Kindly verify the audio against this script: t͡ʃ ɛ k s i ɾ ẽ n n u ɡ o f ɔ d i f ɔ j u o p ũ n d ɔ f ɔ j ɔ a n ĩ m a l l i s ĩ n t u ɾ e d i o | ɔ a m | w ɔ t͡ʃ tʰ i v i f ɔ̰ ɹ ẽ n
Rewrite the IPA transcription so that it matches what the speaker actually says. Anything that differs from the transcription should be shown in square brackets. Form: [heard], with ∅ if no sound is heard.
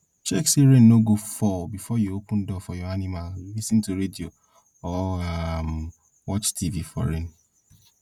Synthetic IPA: t͡ʃ ɛ k s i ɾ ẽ n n [o] ɡ o f ɔ [b] i f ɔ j u o p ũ n d ɔ f ɔ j ɔ a n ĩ m a l l i s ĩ n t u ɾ e d i o | ɔ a m | w ɔ t͡ʃ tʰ i v i f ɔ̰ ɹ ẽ n